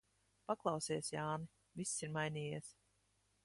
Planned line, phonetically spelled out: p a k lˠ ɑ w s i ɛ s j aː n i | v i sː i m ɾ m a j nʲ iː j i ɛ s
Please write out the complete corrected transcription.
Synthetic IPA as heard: p a k lˠ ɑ w s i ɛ s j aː n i | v i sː i ɾ m a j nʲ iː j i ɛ s